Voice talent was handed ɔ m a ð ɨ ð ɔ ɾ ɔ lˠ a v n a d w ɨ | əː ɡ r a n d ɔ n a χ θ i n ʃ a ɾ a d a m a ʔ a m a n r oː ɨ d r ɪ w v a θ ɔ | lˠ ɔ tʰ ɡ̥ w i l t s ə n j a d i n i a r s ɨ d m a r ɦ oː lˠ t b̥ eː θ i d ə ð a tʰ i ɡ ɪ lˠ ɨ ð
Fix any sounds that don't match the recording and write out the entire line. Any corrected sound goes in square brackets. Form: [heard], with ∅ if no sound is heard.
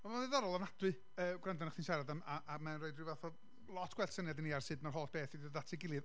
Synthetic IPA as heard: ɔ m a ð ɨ ð ɔ ɾ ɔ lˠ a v n a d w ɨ | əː ɡ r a n d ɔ n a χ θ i n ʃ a ɾ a d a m a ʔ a m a n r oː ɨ d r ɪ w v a θ ɔ | lˠ ɔ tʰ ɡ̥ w [ɛ] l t s ə n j a d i n i a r s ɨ d m a r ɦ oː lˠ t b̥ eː θ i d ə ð a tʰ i ɡ ɪ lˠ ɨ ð